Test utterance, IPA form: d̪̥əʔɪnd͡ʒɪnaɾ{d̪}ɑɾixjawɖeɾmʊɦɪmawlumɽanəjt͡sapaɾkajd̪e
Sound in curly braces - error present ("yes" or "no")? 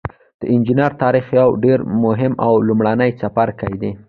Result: yes